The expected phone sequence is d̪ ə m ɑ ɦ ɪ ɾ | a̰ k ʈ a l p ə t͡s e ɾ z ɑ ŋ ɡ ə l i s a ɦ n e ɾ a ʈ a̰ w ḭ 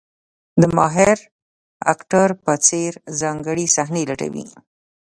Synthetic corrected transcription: d̪ ə m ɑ ɦ ɪ ɾ | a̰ k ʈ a ɾ p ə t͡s e ɾ z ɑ ŋ ɡ ə ɽ i s a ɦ n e l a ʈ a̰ w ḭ